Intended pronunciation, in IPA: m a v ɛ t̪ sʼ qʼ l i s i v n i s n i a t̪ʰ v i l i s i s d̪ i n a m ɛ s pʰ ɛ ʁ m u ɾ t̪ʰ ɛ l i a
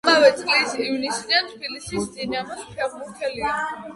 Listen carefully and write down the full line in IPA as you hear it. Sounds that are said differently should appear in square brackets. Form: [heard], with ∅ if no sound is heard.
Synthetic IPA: m a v ɛ t̪ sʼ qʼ l i s i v n i s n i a t̪ʰ [b] i l i s i s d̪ i n a m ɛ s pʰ ɛ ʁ m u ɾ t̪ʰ ɛ l i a